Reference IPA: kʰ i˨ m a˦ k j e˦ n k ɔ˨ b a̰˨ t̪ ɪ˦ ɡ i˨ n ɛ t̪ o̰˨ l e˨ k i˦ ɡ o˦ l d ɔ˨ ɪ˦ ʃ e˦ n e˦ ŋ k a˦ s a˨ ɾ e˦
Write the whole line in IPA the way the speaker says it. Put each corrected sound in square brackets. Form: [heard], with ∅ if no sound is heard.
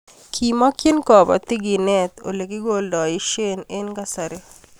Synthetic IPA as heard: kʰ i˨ m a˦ k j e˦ n k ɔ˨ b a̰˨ t̪ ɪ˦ ɡ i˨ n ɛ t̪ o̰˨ l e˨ k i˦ ɡ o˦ l d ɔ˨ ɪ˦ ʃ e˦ n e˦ [n] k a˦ s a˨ ɾ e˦